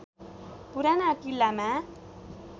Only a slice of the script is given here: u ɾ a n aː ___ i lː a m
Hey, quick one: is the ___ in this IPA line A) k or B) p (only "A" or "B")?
A